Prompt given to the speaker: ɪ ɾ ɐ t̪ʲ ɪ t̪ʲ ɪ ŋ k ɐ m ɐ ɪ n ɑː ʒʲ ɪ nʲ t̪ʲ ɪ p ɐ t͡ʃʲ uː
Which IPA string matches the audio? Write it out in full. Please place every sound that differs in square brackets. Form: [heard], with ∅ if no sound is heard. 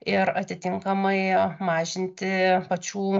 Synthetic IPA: ɪ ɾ ɐ t̪ʲ ɪ t̪ʲ ɪ ŋ k ɐ m ɐ ɪ [m] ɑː ʒʲ ɪ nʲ t̪ʲ ɪ p ɐ t͡ʃʲ uː